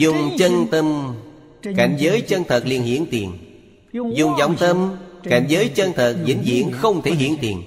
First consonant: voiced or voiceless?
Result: voiced